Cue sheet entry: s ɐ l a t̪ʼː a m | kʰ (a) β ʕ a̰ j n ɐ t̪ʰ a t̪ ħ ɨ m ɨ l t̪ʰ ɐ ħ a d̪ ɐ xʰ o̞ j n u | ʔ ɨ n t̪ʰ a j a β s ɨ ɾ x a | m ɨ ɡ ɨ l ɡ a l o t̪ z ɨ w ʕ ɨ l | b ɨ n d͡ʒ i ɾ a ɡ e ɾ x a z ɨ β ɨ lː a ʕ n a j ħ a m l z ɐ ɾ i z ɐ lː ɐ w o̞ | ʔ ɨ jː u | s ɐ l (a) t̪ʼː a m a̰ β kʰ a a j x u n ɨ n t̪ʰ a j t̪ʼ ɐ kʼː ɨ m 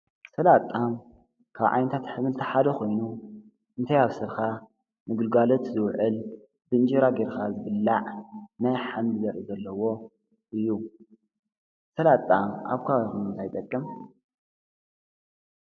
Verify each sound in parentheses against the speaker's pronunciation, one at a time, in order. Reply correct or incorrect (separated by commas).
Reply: correct, correct